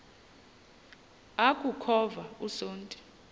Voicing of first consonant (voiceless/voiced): voiceless